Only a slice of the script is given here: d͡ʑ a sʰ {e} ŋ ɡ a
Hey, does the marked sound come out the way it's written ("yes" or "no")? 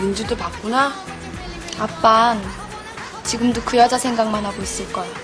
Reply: yes